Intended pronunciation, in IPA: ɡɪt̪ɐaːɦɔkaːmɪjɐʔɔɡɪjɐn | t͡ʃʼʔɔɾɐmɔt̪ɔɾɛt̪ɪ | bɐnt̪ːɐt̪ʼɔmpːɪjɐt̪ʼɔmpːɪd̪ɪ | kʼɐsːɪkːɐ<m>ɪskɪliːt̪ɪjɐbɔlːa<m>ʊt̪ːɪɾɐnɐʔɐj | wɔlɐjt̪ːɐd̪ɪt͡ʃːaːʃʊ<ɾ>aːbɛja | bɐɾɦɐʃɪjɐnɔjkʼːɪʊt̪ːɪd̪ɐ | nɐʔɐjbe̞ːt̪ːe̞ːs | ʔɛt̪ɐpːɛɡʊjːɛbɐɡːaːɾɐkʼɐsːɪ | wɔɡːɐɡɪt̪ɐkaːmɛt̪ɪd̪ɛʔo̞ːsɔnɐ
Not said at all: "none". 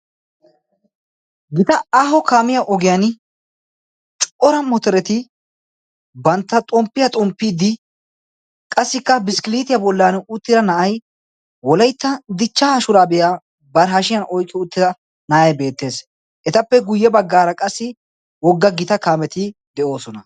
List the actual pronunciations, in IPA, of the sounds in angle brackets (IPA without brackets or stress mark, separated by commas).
b, n, ɾ